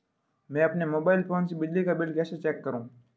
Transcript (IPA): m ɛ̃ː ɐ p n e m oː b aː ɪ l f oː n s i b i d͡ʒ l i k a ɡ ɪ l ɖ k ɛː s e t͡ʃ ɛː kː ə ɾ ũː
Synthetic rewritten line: m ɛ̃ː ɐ p n e m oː b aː ɪ l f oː n s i b ɪ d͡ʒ l i k a b ɪ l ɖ k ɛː s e t͡ʃ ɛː kː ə ɾ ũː